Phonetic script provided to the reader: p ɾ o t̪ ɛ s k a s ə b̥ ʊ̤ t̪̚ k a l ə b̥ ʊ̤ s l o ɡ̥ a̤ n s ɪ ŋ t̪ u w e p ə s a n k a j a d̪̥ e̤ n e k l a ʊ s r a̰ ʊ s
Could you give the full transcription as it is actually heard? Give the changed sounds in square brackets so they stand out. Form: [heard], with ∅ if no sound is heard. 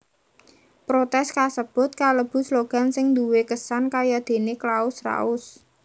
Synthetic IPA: p ɾ o t̪ ɛ s k a s ə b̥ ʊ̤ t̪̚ k a l ə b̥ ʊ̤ s l o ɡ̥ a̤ n s ɪ ŋ [d̪] u w e [k] ə s a n k a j a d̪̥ e̤ n e k l a ʊ s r a̰ ʊ s

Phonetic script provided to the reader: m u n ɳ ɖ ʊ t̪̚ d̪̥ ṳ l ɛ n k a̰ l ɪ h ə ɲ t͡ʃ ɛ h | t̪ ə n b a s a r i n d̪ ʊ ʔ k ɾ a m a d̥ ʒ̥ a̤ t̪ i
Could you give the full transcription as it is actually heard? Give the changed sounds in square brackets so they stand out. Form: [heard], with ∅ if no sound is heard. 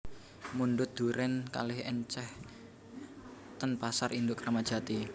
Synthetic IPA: m u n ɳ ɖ ʊ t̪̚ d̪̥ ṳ [ɾ] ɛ n k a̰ l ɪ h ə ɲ t͡ʃ ɛ h | t̪ ə n [p] a s a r i n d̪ ʊ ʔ k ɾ a m a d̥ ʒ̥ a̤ t̪ i

